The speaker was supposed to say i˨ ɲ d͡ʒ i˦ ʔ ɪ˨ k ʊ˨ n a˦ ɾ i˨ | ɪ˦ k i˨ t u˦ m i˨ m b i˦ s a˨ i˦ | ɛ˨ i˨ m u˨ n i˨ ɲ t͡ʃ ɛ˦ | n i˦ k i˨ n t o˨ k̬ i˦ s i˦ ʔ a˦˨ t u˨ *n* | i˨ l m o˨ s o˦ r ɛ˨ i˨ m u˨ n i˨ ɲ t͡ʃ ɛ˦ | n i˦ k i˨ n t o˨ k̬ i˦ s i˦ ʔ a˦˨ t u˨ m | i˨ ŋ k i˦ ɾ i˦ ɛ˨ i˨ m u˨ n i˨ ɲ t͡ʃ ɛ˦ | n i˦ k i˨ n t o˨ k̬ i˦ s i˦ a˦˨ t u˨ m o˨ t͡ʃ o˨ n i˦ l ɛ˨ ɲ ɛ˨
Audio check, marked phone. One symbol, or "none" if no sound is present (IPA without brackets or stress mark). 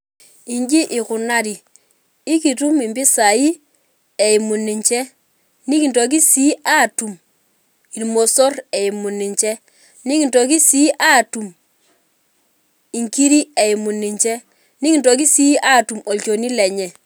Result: m